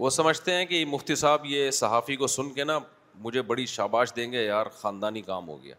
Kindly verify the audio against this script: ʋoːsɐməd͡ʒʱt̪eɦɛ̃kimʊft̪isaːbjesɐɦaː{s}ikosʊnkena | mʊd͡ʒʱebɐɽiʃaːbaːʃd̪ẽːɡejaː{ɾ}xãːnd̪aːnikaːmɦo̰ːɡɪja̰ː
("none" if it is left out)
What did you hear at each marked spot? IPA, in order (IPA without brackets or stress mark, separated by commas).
f, ɾ